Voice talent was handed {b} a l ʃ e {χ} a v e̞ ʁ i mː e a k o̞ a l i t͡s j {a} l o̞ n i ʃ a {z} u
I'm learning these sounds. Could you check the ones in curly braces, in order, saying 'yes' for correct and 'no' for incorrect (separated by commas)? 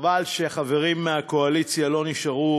no, yes, yes, no